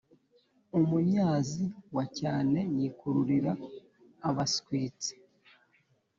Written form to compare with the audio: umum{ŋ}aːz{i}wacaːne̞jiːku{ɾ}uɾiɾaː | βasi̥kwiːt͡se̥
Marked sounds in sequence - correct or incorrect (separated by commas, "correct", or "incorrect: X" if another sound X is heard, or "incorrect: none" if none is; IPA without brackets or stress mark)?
incorrect: ɲ, correct, correct